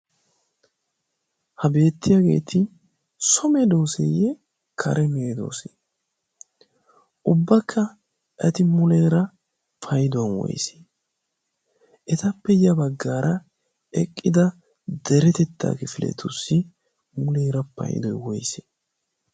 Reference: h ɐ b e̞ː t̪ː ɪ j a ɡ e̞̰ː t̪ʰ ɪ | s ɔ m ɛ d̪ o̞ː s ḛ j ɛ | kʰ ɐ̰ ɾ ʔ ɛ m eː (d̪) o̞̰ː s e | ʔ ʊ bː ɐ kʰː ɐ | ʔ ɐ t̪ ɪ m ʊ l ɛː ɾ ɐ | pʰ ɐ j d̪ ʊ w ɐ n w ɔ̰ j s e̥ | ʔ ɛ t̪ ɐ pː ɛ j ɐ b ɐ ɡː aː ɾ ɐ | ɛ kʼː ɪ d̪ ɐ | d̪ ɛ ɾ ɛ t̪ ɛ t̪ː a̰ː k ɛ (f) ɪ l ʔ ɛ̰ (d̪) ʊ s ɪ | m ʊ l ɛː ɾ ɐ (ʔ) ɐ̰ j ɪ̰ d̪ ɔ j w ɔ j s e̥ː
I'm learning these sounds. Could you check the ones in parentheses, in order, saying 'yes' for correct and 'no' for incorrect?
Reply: yes, yes, no, no

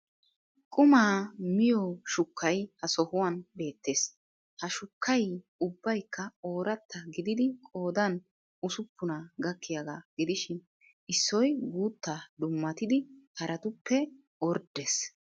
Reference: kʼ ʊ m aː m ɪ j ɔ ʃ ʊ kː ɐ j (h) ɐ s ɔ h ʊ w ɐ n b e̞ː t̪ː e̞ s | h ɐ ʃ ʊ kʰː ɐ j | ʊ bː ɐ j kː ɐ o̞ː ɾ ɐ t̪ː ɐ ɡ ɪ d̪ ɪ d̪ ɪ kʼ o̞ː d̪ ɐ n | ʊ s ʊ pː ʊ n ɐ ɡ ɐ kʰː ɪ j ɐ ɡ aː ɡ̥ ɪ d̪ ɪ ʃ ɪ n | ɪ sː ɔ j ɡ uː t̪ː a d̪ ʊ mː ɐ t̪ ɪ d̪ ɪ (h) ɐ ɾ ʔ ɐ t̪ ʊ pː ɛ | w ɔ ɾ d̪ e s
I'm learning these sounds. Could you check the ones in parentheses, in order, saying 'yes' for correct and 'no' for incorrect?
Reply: yes, yes

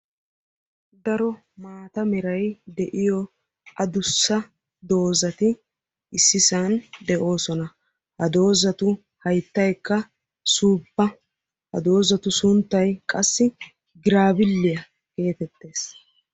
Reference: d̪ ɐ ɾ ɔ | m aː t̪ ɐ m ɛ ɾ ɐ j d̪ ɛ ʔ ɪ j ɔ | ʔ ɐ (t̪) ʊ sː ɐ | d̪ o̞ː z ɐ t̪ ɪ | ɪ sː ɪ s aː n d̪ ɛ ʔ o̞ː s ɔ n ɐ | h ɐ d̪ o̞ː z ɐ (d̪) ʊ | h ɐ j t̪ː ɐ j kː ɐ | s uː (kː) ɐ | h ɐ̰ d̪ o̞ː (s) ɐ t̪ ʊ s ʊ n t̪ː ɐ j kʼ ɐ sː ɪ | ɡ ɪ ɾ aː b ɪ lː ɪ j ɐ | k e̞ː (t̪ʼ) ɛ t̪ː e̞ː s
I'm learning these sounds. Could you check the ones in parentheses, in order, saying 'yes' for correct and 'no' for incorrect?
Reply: no, no, no, no, no

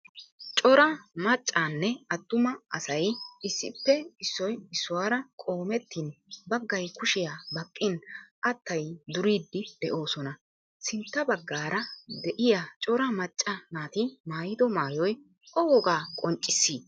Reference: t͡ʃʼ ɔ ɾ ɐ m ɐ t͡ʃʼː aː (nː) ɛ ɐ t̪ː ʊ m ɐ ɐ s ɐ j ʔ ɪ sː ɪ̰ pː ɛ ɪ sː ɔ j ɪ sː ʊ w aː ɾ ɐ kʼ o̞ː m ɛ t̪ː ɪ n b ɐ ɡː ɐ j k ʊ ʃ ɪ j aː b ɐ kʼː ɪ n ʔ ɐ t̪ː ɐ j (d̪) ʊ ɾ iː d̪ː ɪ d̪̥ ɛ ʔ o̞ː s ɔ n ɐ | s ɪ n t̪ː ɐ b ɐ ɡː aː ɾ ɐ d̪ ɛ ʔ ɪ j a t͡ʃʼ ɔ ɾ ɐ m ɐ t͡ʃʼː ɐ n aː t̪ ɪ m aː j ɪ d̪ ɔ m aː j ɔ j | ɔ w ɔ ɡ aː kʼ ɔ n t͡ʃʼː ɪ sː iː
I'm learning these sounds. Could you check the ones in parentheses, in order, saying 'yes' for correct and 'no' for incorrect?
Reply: yes, yes

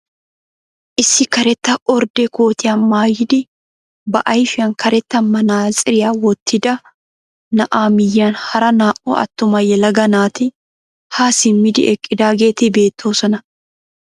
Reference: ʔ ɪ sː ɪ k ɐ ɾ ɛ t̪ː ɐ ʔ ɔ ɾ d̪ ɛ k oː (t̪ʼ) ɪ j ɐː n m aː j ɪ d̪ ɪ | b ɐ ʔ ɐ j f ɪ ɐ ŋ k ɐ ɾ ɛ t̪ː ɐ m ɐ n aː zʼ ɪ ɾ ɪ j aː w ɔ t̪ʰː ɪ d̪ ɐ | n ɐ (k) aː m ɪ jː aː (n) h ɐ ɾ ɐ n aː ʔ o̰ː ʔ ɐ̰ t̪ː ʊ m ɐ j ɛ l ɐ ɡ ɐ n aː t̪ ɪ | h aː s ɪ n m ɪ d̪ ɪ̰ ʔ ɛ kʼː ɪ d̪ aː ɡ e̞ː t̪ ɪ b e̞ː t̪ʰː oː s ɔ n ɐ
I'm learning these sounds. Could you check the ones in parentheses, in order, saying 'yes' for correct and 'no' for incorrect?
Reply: no, no, yes

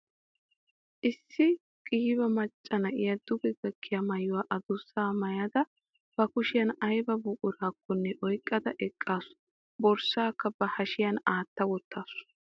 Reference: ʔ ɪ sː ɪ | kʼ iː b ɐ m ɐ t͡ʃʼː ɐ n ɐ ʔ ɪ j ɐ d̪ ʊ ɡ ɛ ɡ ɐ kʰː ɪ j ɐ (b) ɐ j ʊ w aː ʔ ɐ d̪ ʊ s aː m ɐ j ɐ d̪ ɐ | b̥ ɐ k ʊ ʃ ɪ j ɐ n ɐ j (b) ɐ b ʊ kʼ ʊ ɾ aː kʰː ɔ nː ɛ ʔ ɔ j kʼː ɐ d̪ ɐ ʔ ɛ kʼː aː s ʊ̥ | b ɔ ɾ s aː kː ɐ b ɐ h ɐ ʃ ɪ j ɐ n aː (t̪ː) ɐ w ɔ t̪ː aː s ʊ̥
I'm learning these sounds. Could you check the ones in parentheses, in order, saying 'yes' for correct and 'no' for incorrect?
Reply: no, yes, yes

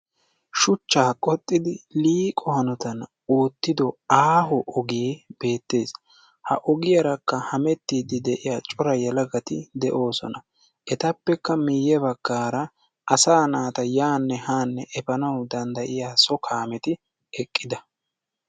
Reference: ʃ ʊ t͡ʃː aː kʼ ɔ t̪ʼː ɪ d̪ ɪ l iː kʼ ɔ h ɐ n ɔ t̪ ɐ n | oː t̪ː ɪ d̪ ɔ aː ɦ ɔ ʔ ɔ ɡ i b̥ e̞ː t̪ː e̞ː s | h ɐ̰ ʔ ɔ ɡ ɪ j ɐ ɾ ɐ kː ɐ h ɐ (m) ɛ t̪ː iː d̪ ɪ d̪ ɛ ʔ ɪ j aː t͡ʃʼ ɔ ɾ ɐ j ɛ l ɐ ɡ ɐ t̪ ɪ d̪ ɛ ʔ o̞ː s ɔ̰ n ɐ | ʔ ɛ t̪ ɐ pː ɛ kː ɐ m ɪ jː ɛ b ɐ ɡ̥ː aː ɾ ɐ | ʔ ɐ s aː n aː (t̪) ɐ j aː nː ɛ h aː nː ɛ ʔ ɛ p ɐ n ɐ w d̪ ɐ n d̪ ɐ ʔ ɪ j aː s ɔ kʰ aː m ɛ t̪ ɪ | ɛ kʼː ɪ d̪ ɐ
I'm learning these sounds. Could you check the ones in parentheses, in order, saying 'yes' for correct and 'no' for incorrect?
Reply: yes, yes

